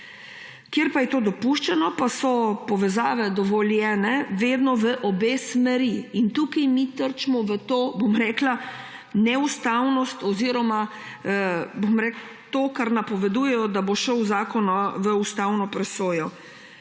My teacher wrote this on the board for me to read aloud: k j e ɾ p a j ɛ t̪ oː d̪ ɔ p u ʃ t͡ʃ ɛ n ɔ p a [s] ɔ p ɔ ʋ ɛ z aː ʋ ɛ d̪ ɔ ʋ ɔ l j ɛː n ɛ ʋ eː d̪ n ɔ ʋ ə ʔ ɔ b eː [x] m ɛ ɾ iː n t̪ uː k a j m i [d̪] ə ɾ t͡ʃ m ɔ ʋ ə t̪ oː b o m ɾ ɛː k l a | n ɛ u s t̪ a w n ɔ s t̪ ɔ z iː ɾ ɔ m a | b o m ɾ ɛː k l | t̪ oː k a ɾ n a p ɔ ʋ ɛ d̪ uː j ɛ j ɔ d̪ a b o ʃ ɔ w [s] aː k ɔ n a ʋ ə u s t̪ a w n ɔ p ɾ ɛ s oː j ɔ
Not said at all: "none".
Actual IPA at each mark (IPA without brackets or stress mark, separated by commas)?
s, s, t̪, z